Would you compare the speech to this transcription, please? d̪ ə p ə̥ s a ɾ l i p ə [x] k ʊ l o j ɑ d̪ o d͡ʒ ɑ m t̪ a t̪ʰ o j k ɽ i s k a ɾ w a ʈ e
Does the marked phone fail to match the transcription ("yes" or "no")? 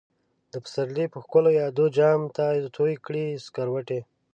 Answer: no